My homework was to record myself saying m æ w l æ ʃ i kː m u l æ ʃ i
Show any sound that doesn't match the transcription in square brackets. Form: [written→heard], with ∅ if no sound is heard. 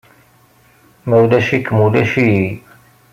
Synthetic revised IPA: m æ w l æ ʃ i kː m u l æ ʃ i